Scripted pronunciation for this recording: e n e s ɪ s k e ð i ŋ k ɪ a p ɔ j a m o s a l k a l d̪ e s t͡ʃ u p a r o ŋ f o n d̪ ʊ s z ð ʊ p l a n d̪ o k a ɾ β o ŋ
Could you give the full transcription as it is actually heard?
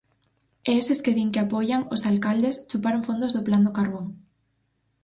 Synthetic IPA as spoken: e e s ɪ s k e ð i ŋ k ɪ a p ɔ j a ŋ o s a l k a l d̪ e s t͡ʃ u p a ɾ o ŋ f o n d̪ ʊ z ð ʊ p l a n d̪ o k a ɾ β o ŋ